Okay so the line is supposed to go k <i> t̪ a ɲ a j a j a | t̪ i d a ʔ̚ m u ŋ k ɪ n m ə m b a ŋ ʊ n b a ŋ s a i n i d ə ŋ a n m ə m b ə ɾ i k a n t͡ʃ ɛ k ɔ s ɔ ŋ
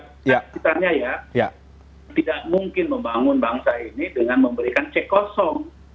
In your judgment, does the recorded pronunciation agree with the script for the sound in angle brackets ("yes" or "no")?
yes